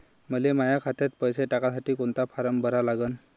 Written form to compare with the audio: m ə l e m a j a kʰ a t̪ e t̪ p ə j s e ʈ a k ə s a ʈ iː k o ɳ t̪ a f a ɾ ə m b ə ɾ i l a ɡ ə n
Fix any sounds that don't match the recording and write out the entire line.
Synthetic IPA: m ə l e m a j a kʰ a t̪ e t̪ p ə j s e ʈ a k a s a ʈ iː k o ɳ t̪ a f a ɾ ə m b ə ɾ a l a ɡ ə n